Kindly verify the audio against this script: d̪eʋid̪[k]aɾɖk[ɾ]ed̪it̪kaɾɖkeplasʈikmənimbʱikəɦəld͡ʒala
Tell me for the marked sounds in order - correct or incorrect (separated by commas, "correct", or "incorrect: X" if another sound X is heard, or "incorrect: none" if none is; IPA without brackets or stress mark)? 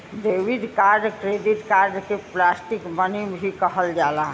correct, correct